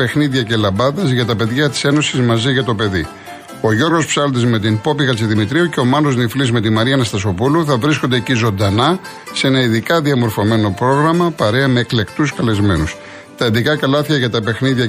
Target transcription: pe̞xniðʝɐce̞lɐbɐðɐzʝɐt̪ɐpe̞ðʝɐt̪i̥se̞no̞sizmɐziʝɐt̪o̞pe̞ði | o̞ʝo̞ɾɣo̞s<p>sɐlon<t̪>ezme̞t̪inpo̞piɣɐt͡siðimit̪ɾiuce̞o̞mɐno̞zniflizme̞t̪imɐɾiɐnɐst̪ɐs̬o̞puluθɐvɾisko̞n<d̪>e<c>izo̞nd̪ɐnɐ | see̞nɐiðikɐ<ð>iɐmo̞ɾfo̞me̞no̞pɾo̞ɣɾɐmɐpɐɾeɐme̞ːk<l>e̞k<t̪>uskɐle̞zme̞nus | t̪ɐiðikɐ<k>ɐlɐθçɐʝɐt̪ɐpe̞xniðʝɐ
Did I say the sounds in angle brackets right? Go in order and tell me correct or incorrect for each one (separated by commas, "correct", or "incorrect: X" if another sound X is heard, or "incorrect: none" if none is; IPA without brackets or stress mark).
correct, incorrect: d̪, correct, correct, correct, correct, correct, correct